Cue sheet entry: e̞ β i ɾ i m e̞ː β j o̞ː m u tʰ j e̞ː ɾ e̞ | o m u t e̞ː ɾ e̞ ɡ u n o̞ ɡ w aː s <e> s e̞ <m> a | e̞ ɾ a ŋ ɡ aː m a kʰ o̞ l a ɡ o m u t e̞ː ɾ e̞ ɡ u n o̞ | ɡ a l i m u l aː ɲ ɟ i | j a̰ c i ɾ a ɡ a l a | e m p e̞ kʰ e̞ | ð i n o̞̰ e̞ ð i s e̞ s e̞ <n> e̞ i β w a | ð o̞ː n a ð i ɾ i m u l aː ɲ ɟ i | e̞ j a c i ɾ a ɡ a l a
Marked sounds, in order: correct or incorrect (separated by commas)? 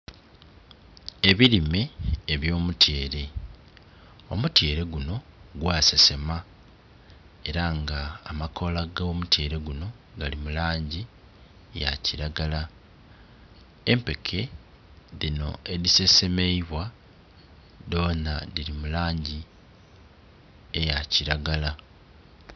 correct, correct, incorrect